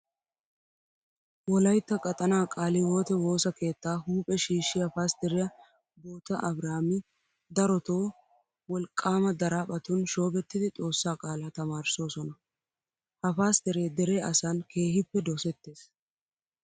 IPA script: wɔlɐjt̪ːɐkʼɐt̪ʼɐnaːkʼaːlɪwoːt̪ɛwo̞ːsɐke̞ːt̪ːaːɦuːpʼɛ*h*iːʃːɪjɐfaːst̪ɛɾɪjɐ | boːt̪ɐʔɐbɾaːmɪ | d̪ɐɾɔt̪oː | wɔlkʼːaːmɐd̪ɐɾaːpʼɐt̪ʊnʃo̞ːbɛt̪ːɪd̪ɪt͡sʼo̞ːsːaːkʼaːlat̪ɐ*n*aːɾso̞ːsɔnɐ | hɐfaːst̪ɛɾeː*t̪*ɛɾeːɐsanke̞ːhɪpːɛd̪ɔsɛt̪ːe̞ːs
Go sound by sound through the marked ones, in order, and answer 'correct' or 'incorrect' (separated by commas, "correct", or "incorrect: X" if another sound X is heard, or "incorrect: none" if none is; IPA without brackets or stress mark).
incorrect: ʃ, incorrect: m, incorrect: d̪